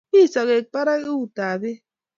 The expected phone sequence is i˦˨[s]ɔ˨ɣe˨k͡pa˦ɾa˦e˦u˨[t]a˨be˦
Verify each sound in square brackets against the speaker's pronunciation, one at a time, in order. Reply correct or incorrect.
correct, correct

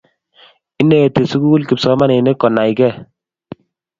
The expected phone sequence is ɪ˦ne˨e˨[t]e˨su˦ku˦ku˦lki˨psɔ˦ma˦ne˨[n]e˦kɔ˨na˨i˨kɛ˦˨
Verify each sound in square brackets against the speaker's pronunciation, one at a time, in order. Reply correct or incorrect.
correct, correct

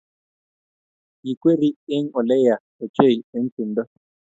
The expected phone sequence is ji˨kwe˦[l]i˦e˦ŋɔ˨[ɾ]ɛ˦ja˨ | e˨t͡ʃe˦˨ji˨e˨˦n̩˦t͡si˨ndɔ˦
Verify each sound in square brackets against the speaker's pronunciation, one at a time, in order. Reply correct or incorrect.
incorrect: ɾ, incorrect: l

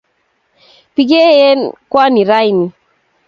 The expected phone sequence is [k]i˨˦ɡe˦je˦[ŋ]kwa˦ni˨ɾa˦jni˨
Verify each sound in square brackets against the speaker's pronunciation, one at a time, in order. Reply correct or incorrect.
incorrect: p, incorrect: n

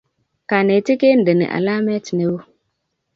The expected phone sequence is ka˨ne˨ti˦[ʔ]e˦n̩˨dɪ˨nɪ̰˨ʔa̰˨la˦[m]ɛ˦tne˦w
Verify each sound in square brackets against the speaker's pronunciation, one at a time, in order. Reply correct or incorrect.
incorrect: k, correct

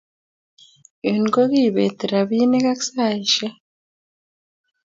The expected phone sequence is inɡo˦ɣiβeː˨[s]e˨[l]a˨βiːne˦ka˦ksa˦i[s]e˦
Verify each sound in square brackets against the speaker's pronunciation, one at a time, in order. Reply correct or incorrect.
incorrect: t, incorrect: ɾ, incorrect: ʃ

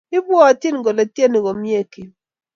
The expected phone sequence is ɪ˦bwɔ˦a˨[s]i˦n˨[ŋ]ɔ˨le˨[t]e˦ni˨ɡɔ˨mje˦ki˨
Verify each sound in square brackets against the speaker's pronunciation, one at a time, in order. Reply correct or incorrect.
incorrect: t, incorrect: ɡ, correct

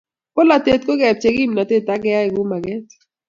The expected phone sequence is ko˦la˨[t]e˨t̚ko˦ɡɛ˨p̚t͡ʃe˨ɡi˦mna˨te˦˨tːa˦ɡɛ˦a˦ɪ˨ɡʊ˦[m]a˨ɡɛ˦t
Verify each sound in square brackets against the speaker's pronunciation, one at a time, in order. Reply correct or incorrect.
correct, correct

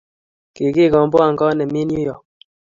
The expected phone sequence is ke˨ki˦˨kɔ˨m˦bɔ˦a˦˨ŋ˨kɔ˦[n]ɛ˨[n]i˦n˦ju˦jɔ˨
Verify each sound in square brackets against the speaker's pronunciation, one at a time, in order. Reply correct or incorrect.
correct, incorrect: m

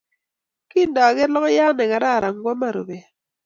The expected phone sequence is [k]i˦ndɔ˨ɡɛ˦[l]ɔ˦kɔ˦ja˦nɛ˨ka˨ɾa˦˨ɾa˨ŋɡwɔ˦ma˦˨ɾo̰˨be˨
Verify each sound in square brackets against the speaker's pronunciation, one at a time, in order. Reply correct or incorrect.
correct, correct

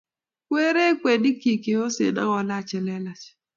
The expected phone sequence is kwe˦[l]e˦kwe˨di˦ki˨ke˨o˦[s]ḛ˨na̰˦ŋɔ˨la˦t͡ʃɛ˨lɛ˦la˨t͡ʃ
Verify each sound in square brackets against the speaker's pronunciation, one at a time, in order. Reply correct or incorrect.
incorrect: ɾ, correct

